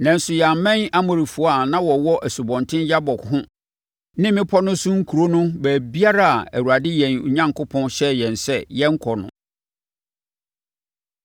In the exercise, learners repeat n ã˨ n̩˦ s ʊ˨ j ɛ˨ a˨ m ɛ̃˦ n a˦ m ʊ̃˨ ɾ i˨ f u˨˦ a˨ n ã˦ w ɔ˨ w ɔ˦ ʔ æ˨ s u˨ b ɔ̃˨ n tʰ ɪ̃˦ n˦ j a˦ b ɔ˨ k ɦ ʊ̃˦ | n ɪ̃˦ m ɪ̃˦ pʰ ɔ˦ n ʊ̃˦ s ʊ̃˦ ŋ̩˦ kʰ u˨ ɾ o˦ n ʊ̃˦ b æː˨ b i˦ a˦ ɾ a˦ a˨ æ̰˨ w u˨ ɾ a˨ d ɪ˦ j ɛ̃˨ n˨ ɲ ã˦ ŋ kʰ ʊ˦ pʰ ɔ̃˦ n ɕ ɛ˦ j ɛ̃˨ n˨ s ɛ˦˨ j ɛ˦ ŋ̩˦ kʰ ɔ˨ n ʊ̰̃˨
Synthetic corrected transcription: n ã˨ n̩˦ s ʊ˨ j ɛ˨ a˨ m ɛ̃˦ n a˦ m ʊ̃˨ ɾ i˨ f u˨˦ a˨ n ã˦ w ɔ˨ w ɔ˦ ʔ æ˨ s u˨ b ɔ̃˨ n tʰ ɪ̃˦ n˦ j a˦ b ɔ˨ k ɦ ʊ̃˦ | n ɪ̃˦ m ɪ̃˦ pʰ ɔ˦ n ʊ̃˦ s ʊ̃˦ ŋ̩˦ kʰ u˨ ɾ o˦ n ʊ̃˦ b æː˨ b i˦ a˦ ɾ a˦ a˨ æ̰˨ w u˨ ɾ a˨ d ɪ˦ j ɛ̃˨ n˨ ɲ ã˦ ŋ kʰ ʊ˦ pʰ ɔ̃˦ n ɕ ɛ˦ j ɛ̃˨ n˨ s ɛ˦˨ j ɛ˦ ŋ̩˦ kʰ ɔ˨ n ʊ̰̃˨